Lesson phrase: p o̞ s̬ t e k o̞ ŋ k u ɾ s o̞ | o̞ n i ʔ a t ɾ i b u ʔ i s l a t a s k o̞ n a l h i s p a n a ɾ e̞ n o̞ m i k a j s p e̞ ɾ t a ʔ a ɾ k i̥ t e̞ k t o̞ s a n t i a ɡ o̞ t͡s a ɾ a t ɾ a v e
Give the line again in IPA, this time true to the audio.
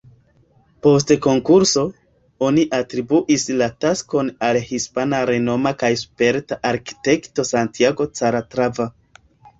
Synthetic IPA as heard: p o̞ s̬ t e k o̞ ŋ k u ɾ s o̞ | o̞ n i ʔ a t ɾ i b u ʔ i s l a t a s k o̞ n a l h i s p a n a ɾ e̞ n o̞ m a k a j s p e̞ ɾ t a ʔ a ɾ k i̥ t e̞ k t o̞ s a n t i a ɡ o̞ t͡s a ɾ a t ɾ a v a